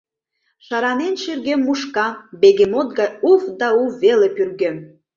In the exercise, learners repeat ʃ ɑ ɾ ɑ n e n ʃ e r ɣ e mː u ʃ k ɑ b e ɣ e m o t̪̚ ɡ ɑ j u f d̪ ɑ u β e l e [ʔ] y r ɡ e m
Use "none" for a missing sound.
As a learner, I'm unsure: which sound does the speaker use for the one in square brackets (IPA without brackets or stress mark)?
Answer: p